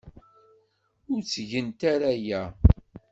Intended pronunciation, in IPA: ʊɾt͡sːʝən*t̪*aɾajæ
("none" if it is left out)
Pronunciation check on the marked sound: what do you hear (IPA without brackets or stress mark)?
t̪